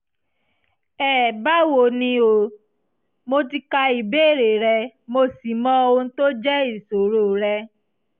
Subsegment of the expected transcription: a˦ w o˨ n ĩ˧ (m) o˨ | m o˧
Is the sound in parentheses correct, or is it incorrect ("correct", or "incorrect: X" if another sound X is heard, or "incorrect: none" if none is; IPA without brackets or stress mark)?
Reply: incorrect: none